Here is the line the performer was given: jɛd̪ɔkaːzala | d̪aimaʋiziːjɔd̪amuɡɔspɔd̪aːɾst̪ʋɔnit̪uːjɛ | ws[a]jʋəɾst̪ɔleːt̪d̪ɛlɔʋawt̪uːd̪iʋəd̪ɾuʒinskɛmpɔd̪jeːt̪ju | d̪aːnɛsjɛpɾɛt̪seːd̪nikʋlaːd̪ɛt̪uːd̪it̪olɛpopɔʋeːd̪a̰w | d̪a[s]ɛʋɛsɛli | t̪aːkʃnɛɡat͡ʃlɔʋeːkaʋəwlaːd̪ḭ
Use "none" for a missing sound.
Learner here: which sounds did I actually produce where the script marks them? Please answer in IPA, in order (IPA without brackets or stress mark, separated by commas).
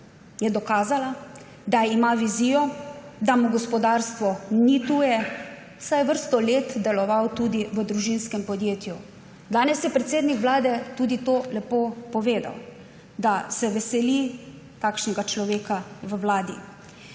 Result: a, s